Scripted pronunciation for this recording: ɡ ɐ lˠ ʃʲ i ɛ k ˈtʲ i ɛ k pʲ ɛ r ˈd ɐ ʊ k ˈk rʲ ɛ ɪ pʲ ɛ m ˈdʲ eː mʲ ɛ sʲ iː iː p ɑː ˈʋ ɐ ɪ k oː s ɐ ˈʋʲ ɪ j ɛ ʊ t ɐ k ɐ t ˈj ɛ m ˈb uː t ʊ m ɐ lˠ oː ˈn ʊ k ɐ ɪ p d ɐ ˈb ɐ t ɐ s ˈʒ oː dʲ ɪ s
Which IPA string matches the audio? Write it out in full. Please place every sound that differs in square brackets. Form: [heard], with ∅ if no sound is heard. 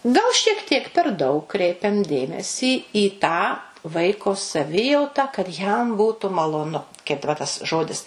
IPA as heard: ɡ ɐ lˠ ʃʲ i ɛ k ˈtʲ i ɛ k pʲ ɛ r ˈd ɐ ʊ k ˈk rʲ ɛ ɪ pʲ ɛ m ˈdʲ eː mʲ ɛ sʲ iː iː [t] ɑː ˈʋ ɐ ɪ k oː s ɐ ˈʋʲ ɪ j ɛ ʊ t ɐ k ɐ t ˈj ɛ m ˈb uː t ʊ m ɐ lˠ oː ˈn ʊ k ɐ ɪ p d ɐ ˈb ɐ t ɐ s ˈʒ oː dʲ ɪ s

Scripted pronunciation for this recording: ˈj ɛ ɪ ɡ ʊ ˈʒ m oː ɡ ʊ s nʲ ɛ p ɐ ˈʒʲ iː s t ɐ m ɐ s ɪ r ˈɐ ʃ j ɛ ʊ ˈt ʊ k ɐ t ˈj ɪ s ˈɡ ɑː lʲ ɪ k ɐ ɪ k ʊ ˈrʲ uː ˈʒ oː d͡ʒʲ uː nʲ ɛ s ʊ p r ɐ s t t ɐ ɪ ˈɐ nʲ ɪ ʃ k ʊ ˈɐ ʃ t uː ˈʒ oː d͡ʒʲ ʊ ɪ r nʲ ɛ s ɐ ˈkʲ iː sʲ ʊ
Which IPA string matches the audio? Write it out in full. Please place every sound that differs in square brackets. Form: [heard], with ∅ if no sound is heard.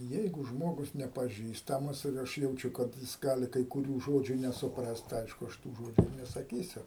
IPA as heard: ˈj ɛ ɪ ɡ ʊ ˈʒ m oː ɡ ʊ s nʲ ɛ p ɐ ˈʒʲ iː s t ɐ m ɐ s ɪ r ˈɐ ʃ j ɛ ʊ [ˈt͡ʃʲ] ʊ k ɐ t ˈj ɪ s ˈɡ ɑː lʲ ɪ k ɐ ɪ k ʊ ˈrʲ uː ˈʒ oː d͡ʒʲ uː nʲ ɛ s ʊ p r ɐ s t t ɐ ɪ ˈɐ [∅] ɪ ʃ k ʊ ˈɐ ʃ t uː ˈʒ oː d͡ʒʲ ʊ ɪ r nʲ ɛ s ɐ ˈkʲ iː sʲ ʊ

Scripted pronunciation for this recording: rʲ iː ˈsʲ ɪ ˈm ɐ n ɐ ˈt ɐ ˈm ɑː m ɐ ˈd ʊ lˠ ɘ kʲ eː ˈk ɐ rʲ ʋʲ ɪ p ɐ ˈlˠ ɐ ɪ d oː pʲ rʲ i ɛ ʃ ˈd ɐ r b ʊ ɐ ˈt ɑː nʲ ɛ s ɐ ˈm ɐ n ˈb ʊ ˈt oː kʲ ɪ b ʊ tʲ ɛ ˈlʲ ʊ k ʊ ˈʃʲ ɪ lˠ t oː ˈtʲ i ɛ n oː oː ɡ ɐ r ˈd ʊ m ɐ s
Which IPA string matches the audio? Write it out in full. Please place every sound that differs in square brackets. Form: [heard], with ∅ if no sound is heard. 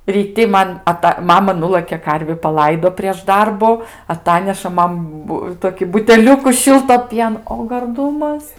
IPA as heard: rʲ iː [ˈtʲ] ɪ ˈm ɐ n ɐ ˈt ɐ ˈm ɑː m ɐ [ˈn] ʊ lˠ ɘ kʲ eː ˈk ɐ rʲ ʋʲ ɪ p ɐ ˈlˠ ɐ ɪ d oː pʲ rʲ i ɛ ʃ ˈd ɐ r b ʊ ɐ ˈt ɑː nʲ ɛ [ʃ] ɐ ˈm ɐ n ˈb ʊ ˈt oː kʲ ɪ b ʊ tʲ ɛ ˈlʲ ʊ k ʊ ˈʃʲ ɪ lˠ t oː [ˈpʲ] i ɛ n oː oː ɡ ɐ r ˈd ʊ m ɐ s

